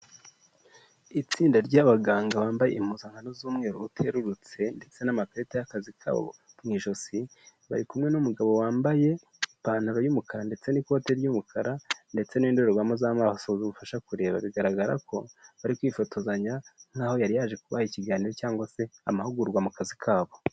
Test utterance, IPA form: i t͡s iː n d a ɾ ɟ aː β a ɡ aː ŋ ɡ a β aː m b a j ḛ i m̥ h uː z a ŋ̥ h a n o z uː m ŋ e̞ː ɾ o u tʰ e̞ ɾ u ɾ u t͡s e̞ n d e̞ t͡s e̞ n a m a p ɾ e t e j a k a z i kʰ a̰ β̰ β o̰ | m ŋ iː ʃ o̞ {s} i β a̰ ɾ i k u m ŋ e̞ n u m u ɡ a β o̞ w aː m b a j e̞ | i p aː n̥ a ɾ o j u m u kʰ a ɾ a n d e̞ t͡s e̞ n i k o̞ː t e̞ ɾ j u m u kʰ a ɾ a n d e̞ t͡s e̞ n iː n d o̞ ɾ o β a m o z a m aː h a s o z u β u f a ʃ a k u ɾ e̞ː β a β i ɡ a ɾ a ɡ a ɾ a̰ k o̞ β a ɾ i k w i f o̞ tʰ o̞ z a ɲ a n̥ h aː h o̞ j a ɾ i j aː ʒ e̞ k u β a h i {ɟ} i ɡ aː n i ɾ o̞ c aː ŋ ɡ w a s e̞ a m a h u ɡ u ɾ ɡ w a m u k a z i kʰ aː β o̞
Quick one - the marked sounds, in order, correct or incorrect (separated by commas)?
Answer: correct, incorrect